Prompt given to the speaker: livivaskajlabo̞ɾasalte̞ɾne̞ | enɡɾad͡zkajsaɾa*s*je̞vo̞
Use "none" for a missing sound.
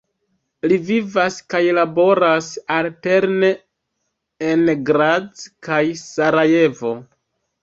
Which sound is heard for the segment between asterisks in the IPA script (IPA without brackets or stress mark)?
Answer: none